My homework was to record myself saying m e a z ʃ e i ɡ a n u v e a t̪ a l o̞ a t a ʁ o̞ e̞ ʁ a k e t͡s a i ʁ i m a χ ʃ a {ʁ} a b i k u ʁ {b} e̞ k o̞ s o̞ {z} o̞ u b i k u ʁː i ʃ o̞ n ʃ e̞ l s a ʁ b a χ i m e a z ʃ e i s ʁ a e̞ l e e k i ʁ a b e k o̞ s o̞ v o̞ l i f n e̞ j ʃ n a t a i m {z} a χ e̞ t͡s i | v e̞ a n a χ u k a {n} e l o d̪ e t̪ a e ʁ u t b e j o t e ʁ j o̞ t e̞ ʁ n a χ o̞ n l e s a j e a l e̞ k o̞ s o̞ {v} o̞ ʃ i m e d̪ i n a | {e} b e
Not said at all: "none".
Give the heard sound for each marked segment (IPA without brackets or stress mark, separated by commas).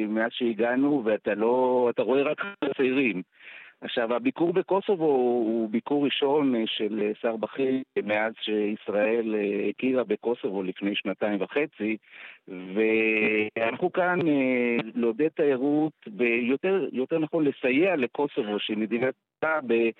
v, b, v, v, n, v, a